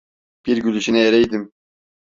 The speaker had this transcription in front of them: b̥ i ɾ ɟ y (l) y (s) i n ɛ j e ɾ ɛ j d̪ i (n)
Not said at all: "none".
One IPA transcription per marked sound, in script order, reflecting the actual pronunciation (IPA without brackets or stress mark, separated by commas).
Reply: l, ʃ, m